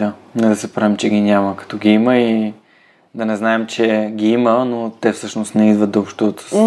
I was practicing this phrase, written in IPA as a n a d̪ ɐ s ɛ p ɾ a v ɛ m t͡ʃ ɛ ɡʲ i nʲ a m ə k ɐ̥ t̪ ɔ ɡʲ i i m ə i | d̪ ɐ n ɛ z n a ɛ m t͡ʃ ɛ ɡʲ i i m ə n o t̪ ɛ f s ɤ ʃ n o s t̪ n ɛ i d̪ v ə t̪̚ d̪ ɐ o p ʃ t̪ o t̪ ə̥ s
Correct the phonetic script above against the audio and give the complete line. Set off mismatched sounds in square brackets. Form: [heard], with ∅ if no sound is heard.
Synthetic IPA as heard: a n [ɛ] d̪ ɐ s ɛ p ɾ a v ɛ m t͡ʃ ɛ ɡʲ i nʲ a m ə k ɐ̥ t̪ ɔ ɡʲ i i m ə i | d̪ ɐ n ɛ z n a ɛ m t͡ʃ ɛ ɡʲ i i m ə n o t̪ ɛ f s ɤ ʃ n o s t̪ n ɛ i d̪ v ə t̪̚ d̪ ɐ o p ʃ t̪ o t̪ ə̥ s